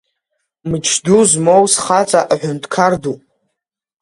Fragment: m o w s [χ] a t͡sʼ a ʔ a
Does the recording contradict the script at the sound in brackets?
no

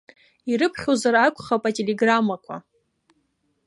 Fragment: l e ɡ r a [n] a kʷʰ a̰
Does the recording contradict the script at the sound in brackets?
yes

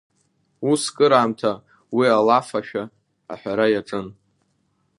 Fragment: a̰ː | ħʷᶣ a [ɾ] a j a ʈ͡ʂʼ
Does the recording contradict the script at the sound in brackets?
no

